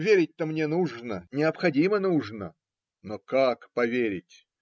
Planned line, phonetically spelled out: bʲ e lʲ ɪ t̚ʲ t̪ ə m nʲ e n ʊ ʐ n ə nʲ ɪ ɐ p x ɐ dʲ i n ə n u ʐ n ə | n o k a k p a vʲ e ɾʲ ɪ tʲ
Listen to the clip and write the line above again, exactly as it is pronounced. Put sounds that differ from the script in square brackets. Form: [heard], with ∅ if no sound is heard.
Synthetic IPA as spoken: [vʲ] e [ɾʲ] ɪ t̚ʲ t̪ ə m nʲ e n [u] ʐ n ə nʲ ɪ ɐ p x ɐ dʲ i [m] ə n u ʐ n ə | n o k a k p [ɐ] vʲ e ɾʲ ɪ tʲ